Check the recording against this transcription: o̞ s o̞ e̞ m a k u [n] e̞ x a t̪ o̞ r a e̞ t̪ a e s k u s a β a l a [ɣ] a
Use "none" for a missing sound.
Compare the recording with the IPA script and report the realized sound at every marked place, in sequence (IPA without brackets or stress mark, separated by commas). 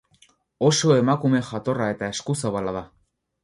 m, ð